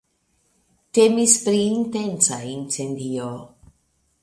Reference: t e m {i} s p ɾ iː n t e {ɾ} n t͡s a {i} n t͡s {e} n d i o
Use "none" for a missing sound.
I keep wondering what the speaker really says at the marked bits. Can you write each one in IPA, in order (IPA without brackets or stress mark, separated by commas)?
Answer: i, none, i, e